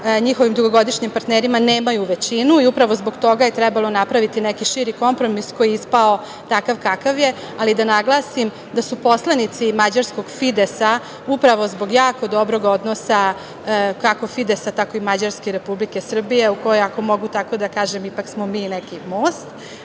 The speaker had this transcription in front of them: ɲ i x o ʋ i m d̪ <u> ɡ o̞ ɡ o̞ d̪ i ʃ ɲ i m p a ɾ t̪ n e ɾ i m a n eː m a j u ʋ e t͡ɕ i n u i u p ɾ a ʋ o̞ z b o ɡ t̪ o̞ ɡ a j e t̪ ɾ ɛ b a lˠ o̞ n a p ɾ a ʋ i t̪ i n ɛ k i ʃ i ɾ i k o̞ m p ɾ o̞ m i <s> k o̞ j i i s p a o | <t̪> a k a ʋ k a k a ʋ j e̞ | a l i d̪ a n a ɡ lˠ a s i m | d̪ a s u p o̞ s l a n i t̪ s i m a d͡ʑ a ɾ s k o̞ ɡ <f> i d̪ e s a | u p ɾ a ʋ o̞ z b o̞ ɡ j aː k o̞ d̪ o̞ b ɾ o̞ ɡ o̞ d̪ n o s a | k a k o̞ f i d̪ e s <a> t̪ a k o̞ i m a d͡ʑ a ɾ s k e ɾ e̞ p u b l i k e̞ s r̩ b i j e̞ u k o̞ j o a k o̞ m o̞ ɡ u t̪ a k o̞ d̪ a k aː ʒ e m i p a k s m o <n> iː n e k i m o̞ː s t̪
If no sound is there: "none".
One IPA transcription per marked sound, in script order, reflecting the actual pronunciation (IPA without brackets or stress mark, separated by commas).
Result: u, s, t̪, f, a, m